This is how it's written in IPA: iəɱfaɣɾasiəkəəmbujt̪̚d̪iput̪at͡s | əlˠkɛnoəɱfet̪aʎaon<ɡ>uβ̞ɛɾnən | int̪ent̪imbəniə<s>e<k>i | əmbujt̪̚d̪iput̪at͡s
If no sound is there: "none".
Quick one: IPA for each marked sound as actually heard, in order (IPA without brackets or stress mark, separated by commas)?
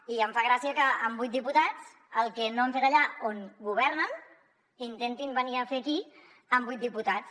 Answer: ɡ, f, k